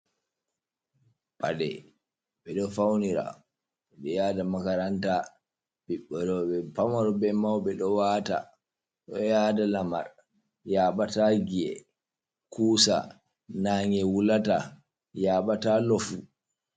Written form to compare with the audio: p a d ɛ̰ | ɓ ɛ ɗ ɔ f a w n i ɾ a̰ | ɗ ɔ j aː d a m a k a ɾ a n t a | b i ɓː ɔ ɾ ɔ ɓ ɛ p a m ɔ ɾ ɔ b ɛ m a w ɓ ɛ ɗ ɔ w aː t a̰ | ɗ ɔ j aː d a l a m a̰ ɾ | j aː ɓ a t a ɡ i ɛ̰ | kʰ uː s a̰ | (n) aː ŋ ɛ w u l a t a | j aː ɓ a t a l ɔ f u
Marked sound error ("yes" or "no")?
no